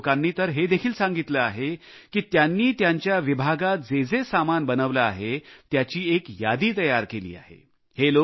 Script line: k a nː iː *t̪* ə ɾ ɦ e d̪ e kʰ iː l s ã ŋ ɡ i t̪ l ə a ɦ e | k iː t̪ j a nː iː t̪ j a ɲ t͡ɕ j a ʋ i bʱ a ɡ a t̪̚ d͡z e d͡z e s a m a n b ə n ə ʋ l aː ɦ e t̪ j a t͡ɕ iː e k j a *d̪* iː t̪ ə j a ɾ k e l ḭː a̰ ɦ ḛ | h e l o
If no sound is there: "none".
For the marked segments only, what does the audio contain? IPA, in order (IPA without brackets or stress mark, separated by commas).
t̪, d̪